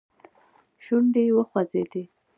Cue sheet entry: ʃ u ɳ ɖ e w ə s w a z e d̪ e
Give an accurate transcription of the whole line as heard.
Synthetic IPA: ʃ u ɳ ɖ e w ə x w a z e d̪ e